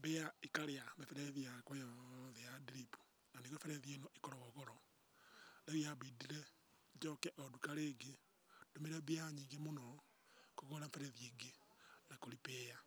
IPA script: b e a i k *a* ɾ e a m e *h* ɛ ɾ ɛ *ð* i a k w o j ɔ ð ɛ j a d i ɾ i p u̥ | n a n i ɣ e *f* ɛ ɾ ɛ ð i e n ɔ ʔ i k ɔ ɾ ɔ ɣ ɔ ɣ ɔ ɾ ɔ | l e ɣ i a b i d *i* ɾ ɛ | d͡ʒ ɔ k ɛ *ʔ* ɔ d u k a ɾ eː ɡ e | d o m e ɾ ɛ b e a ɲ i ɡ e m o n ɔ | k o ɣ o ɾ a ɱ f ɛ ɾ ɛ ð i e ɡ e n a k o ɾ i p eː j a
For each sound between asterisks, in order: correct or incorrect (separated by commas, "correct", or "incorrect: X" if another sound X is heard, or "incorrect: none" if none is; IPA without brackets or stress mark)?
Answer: correct, incorrect: f, correct, correct, correct, correct